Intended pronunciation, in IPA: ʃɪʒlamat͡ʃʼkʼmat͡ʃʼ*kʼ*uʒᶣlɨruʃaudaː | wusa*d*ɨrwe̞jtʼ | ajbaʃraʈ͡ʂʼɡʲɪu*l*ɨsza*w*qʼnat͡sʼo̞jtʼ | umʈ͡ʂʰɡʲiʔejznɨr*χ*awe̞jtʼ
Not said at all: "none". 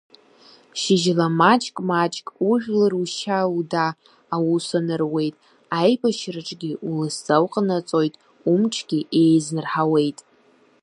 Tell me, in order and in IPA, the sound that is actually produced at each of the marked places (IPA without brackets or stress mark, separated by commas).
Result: kʼ, n, l, w, ħ